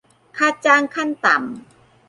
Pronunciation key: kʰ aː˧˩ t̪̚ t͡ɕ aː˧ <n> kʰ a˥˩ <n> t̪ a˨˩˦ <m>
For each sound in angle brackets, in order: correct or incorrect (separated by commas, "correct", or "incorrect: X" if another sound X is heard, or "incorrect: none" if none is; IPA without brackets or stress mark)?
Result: incorrect: ŋ, correct, correct